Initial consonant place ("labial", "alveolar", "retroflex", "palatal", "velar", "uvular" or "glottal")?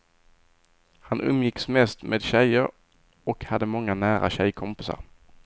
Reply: glottal